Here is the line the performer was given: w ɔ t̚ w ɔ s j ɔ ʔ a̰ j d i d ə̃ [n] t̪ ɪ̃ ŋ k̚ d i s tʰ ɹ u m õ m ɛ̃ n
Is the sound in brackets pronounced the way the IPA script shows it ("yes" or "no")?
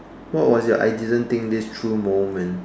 yes